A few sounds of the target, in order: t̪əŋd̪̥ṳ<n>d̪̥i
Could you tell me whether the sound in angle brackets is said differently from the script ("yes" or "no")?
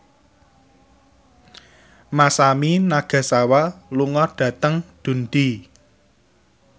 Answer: no